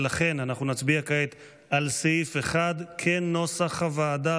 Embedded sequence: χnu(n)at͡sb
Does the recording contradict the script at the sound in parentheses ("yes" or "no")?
no